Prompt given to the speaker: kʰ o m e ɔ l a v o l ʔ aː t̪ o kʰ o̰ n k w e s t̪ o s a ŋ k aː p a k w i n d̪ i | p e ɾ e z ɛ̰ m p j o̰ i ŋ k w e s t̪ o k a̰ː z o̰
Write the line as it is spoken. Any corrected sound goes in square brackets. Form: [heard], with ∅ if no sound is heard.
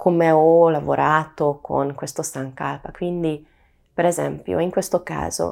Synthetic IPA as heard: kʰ o m e ɔ l a v o [ɾ] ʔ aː t̪ o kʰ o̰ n k w e s t̪ o s a ŋ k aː p a k w i n d̪ i | p e ɾ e z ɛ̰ m p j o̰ i ŋ k w e s t̪ o k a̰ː z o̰